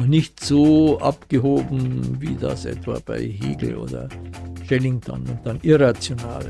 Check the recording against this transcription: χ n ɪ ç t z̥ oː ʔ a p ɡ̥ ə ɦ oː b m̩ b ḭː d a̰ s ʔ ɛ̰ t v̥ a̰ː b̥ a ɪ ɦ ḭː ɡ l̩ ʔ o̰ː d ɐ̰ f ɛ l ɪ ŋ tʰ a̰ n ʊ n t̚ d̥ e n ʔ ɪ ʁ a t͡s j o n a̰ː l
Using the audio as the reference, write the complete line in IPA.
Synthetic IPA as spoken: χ n ɪ ç t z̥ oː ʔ a p ɡ̥ ə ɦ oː b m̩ v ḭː d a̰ s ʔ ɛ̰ t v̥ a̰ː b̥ a ɪ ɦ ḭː ɡ l̩ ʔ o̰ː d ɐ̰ ʃ ɛ l ɪ ŋ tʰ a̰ n ʊ n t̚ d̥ a n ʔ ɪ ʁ a t͡s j o n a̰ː l

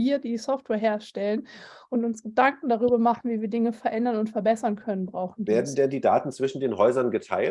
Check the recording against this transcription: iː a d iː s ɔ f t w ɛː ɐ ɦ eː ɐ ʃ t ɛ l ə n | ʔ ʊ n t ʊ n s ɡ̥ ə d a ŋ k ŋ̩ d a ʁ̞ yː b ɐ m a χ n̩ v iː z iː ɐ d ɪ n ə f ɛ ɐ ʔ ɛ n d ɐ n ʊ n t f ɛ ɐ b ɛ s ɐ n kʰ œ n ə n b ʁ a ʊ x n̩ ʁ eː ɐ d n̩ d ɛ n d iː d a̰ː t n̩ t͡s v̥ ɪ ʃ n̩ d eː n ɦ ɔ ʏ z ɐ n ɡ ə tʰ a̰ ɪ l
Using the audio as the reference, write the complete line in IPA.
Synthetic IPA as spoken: iː ɐ d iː s ɔ f t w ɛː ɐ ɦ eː ɐ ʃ t ɛ l ə n | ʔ ʊ n t ʊ n s ɡ̥ ə d a ŋ k ŋ̩ d a ʁ̞ yː b ɐ m a χ n̩ v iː v iː ɐ d ɪ ŋ ə f ɛ ɐ ʔ ɛ n d ɐ n ʊ n t f ɛ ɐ b ɛ s ɐ n kʰ œ n ə n b ʁ a ʊ x n̩ v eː ɐ d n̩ d ɛ n d iː d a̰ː t n̩ t͡s v̥ ɪ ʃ n̩ d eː n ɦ ɔ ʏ z ɐ n ɡ ə tʰ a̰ ɪ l

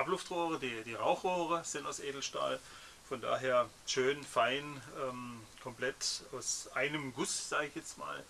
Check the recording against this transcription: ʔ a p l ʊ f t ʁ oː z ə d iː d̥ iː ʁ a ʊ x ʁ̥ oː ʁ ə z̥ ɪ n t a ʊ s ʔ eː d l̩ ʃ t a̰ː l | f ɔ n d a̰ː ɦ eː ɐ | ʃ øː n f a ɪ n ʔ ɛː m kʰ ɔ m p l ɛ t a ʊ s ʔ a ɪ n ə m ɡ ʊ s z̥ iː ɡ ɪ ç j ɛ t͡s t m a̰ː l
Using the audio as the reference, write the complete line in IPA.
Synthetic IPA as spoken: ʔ a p l ʊ f t ʁ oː ʁ ə d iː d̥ iː ʁ a ʊ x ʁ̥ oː ʁ ə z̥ ɪ n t a ʊ s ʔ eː d l̩ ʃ t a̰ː l | f ɔ n d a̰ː ɦ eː ɐ | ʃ øː n f a ɪ n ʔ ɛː m kʰ ɔ m p l ɛ t a ʊ s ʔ a ɪ n ə m ɡ ʊ s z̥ aː ɡ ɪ ç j ɛ t͡s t m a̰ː l

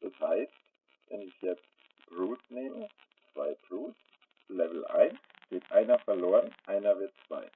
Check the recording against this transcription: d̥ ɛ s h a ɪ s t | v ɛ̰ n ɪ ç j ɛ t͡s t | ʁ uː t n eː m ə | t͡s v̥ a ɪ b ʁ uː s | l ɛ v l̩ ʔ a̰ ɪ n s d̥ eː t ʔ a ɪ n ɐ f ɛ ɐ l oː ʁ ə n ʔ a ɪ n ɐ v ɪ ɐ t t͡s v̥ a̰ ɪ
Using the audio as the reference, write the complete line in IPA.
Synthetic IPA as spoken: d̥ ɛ s h a ɪ s t | v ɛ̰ n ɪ ç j ɛ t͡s t | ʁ uː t n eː m ə | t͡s v̥ a ɪ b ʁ uː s | l ɛ v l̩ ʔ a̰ ɪ n s ɡ̥ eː t ʔ a ɪ n ɐ f ɛ ɐ l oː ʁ ə n ʔ a ɪ n ɐ v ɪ ɐ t t͡s v̥ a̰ ɪ

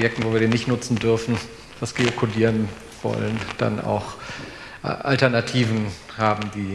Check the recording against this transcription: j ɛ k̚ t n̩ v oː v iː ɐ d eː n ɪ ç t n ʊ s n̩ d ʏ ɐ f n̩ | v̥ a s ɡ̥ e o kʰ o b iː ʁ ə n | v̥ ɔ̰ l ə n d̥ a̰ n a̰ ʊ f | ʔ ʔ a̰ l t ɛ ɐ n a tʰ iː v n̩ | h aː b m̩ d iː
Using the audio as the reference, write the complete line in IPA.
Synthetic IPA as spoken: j ɛ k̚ t n̩ v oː v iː ɐ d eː n ɪ ç t n ʊ t͡s n̩ d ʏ ɐ f n̩ | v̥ a s ɡ̥ e o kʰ o d iː ʁ ə n | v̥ ɔ̰ l ə n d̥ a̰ n a̰ ʊ x | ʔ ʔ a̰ l t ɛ ɐ n a tʰ iː v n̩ | h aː b m̩ d iː

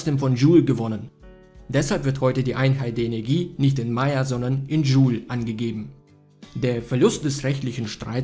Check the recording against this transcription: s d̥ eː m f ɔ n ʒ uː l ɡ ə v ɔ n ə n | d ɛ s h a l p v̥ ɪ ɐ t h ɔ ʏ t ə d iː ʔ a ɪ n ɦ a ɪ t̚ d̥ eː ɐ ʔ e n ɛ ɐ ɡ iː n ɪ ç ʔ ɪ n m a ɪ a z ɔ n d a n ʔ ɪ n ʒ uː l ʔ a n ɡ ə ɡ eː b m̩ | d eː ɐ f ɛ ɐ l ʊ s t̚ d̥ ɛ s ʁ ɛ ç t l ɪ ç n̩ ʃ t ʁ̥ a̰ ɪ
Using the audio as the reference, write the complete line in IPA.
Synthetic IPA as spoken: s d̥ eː m f ɔ n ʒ uː l ɡ ə v ɔ n ə n | d ɛ s h a l p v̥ ɪ ɐ t h ɔ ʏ t ə d iː ʔ a ɪ n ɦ a ɪ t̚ d̥ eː ɐ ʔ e n ɛ ɐ ɡ iː n ɪ ç t ɪ n m a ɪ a z ɔ n d ɐ n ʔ ɪ n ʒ uː l ʔ a n ɡ ə ɡ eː b m̩ | d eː ɐ f ɛ ɐ l ʊ s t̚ d̥ ɛ s ʁ ɛ ç t l ɪ ç n̩ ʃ t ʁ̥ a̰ ɪ

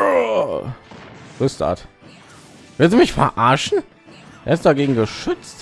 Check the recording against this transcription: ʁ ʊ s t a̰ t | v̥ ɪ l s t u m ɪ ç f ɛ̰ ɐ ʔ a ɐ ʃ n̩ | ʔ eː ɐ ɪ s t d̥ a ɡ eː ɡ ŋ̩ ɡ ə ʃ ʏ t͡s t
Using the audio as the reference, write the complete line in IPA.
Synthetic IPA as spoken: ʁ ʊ s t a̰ t | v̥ ɪ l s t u m ɪ ç f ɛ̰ ɐ ʔ a ɐ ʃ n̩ | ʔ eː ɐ ɪ s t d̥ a ɡ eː ɡ ŋ̩ ɡ ə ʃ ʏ t͡s t

